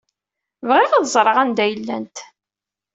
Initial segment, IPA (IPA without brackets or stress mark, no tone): v